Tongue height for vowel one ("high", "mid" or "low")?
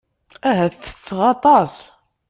low